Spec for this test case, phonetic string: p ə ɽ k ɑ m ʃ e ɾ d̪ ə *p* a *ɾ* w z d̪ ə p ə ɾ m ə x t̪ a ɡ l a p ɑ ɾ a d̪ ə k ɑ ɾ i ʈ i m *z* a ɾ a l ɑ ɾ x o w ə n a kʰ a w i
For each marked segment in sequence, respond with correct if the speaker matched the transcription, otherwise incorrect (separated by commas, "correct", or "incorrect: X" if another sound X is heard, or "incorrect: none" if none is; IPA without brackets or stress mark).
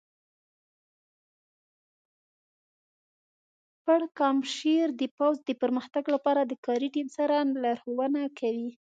correct, incorrect: none, incorrect: s